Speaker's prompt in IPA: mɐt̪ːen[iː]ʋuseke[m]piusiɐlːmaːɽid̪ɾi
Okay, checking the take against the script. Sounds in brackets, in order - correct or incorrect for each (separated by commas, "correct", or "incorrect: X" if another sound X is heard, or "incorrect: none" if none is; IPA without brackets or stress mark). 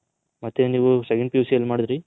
correct, incorrect: ɳ